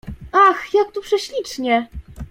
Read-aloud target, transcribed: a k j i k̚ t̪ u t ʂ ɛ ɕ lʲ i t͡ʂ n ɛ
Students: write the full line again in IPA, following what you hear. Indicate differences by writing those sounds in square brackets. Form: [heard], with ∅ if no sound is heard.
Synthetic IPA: a [x] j [a] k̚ t̪ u [p] ʂ ɛ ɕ lʲ i t͡ʂ [ɲ] ɛ